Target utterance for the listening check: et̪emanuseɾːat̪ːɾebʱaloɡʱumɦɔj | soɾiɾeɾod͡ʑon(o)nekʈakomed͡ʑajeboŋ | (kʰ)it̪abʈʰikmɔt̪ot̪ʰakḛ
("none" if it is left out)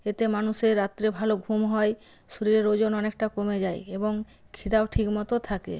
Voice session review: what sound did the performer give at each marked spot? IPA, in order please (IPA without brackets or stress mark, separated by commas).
ɔ, kʰ